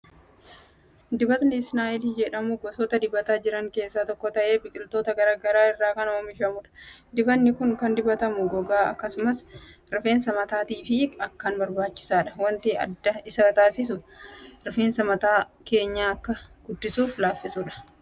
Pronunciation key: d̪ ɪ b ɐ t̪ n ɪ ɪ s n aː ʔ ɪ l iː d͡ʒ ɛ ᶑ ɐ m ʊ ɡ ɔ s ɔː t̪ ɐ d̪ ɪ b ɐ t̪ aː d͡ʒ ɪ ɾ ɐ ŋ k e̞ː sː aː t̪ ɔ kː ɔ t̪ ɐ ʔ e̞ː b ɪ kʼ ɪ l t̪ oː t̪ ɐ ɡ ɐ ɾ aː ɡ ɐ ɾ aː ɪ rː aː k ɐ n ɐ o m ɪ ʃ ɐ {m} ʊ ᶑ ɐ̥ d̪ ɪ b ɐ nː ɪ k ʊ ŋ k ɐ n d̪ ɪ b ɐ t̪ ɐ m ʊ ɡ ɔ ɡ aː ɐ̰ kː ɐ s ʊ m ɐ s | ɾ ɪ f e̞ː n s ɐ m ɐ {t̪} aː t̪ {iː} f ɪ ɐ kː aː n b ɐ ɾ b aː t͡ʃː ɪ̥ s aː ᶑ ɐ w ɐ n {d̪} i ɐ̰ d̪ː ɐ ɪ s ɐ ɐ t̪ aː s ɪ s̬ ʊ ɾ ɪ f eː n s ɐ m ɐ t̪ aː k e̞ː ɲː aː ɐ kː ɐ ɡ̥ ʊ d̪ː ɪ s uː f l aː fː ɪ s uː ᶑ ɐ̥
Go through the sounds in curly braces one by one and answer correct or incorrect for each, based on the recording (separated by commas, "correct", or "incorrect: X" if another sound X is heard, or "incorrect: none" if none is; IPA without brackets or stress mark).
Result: correct, correct, correct, incorrect: t̪